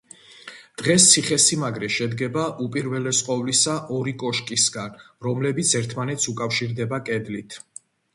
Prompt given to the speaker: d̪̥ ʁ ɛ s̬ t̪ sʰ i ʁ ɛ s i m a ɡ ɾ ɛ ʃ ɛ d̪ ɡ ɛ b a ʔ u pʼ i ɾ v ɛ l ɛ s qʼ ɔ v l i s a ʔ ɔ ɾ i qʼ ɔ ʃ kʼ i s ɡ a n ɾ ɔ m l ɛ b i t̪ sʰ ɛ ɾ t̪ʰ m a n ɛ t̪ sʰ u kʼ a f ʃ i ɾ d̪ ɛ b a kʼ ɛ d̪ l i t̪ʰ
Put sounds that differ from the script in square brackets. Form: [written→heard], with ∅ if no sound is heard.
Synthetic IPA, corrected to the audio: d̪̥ ʁ ɛ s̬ t̪ sʰ i [ʁ→χ] ɛ s i m a ɡ ɾ ɛ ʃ ɛ d̪ ɡ ɛ b a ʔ u pʼ i ɾ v ɛ l ɛ s qʼ ɔ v l i s a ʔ ɔ ɾ i [qʼ→kʼ] ɔ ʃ kʼ i s ɡ a n ɾ ɔ m l ɛ b i t̪ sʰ ɛ ɾ t̪ʰ m a n ɛ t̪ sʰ u kʼ a f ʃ i ɾ d̪ ɛ b a kʼ ɛ d̪ l i t̪ʰ

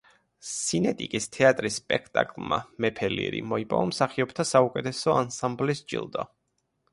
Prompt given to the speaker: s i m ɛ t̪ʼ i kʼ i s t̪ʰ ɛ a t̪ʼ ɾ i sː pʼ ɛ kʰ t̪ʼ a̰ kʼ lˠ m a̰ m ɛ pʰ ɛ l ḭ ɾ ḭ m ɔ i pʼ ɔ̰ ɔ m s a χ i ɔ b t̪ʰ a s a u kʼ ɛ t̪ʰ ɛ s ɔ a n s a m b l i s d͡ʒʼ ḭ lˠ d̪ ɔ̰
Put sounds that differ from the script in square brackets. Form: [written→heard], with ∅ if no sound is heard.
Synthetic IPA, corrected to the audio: s i [m→n] ɛ t̪ʼ i kʼ i s t̪ʰ ɛ a t̪ʼ ɾ i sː pʼ ɛ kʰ t̪ʼ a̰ kʼ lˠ m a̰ m ɛ pʰ ɛ l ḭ ɾ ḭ m ɔ i pʼ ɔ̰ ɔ m s a χ i ɔ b t̪ʰ a s a u kʼ ɛ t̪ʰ ɛ s ɔ a n s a m b l i s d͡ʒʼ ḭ lˠ d̪ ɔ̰

